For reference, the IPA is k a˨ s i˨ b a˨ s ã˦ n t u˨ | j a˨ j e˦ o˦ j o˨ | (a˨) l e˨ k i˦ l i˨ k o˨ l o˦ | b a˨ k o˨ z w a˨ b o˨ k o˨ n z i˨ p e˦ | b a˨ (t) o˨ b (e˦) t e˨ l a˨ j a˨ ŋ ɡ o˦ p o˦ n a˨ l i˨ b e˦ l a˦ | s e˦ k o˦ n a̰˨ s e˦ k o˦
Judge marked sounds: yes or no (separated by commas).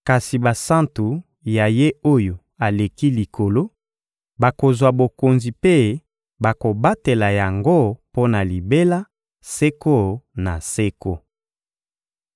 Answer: yes, no, no